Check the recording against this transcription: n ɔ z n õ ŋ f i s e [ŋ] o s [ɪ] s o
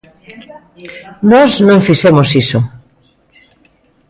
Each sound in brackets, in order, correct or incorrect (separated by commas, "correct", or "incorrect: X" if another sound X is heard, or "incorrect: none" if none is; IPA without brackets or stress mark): incorrect: m, incorrect: i